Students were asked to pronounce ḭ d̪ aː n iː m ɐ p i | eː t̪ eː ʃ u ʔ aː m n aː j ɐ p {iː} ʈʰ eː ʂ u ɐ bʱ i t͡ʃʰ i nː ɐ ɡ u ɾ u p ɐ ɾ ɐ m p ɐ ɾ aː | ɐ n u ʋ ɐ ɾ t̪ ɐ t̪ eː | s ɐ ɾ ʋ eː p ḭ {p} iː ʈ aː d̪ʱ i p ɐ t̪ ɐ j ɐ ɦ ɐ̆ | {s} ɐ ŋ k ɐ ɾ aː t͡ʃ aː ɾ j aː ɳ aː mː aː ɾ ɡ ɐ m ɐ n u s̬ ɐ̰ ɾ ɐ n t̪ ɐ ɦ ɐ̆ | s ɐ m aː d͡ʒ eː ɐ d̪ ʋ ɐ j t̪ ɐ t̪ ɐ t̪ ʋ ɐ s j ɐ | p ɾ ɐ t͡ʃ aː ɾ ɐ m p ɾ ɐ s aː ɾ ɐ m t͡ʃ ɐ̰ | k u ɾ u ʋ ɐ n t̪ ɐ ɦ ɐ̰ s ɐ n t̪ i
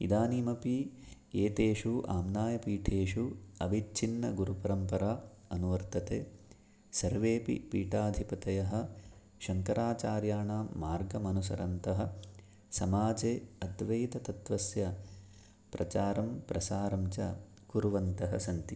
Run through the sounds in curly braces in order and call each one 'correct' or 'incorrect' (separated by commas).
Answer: correct, correct, incorrect